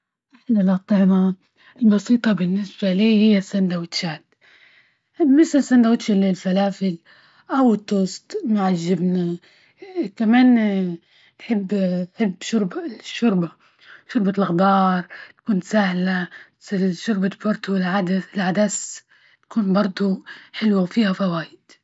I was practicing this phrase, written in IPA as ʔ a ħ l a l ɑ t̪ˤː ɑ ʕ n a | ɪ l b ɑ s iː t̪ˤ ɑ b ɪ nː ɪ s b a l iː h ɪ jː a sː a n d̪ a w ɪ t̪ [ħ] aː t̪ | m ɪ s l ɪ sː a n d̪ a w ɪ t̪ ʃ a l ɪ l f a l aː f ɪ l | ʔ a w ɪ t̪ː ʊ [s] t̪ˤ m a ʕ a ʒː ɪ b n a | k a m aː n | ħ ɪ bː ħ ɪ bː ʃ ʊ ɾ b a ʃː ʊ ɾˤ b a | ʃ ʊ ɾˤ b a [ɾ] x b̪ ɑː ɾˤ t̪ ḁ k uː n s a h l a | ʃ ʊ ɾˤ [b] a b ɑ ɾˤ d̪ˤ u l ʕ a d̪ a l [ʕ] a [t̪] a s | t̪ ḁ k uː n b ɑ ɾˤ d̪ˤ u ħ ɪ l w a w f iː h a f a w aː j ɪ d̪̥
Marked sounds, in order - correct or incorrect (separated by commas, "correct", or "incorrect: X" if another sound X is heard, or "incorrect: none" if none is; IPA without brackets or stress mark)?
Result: incorrect: ʃ, correct, incorrect: l, correct, correct, incorrect: d̪